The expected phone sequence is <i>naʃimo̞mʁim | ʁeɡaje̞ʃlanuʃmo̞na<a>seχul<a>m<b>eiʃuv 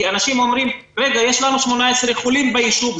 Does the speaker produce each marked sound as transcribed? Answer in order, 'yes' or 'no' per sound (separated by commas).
no, no, no, yes